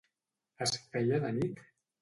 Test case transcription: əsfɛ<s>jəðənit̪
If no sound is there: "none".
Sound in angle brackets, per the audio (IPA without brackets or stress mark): none